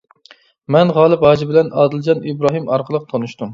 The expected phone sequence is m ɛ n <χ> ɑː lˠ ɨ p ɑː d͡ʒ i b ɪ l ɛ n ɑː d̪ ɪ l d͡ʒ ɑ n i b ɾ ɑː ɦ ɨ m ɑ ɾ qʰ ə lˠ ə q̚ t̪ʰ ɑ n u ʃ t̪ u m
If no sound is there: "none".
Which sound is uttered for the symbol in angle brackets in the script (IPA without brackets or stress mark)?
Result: ʁ